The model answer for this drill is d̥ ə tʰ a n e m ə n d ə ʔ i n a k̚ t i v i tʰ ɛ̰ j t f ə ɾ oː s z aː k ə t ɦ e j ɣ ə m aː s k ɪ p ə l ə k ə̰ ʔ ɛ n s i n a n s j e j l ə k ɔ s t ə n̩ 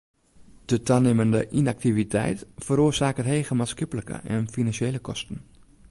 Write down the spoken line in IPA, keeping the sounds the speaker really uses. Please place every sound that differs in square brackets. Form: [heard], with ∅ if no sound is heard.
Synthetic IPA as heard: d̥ ə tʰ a n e m ə n d ə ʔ i n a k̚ t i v i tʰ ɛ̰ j t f ə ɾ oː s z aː k ə t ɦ e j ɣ ə m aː s k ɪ p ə l ə k ə̰ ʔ ɛ n [f] i n a n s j e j l ə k ɔ s t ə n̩